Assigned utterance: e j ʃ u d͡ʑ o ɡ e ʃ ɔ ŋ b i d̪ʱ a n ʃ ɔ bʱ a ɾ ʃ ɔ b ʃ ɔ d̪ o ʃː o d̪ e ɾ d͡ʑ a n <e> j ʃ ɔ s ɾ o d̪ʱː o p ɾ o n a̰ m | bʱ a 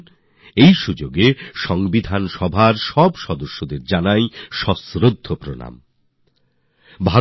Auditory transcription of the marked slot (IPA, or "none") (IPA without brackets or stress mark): a